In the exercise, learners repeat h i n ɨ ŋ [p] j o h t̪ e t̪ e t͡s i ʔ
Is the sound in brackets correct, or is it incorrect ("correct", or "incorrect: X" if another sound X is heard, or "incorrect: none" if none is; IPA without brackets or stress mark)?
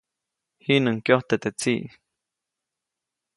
incorrect: k